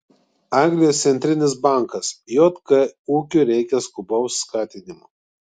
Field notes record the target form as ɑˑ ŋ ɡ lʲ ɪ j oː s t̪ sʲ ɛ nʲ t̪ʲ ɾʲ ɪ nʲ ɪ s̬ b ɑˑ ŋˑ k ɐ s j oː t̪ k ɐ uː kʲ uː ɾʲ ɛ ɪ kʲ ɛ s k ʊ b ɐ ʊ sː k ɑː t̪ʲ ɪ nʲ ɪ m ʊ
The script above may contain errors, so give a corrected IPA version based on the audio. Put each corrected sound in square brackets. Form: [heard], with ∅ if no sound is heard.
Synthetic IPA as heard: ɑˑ ŋ ɡ lʲ ɪ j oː s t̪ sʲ ɛ nʲ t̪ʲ ɾʲ ɪ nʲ ɪ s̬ b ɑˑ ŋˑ k ɐ s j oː t̪ k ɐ uː kʲ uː ɾʲ ɛ ɪ kʲ ɛ s k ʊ b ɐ ʊ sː k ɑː t̪ʲ ɪ nʲ ɪ m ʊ